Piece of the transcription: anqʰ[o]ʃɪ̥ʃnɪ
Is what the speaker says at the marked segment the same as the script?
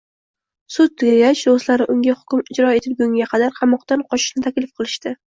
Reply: no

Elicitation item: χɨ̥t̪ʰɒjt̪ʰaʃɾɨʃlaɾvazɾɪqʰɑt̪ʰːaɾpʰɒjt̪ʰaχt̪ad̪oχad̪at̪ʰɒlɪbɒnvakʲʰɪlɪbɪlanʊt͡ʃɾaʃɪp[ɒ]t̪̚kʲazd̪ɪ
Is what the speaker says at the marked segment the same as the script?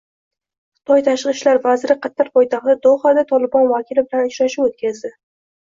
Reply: no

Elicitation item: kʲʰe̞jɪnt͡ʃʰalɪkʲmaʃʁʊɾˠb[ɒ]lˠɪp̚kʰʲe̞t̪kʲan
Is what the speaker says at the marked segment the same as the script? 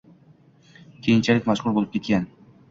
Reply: no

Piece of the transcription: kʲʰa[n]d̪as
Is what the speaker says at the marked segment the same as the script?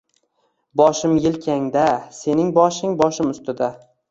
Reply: no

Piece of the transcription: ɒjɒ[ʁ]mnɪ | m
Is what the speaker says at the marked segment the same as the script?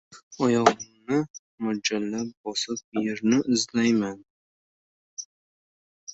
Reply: yes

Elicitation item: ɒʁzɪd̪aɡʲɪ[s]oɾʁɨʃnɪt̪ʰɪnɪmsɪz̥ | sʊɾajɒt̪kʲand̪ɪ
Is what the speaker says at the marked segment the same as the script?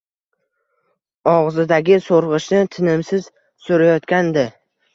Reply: yes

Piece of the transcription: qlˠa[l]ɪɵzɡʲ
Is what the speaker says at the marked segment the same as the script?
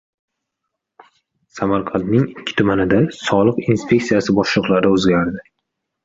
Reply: no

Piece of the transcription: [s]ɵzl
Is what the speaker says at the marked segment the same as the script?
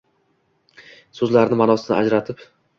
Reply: yes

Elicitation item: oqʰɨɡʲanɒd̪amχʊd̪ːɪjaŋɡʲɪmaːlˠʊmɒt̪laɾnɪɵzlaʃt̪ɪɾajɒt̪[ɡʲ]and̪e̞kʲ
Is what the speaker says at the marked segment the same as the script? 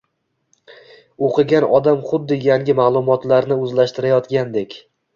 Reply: yes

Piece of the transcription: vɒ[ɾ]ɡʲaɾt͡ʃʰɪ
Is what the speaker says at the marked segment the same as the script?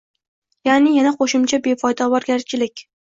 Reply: yes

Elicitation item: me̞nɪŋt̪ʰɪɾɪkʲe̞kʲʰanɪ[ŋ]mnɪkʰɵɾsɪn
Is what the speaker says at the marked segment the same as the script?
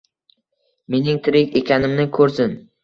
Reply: no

